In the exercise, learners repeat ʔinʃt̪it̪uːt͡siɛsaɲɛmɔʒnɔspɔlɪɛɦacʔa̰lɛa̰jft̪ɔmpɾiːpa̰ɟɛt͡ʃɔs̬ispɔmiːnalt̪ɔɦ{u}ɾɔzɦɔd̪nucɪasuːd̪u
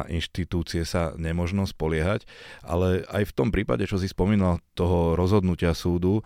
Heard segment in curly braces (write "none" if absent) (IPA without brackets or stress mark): ɔ